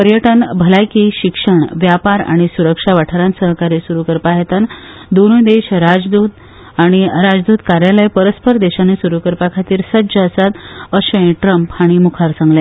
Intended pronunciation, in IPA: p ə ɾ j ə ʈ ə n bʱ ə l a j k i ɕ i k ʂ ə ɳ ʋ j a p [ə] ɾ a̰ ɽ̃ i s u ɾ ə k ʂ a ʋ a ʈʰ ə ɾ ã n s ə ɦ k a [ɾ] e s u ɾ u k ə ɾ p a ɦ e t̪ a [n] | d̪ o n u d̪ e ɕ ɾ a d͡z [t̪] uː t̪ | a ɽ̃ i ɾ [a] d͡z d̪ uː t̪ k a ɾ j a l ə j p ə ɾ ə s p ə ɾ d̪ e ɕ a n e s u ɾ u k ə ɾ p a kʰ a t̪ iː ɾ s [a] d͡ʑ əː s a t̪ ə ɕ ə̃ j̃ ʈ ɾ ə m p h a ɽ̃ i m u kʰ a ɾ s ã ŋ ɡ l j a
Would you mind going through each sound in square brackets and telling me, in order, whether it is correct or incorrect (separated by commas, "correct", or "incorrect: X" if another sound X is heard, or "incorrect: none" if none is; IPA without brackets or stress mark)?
incorrect: a, correct, correct, incorrect: d̪, correct, incorrect: ə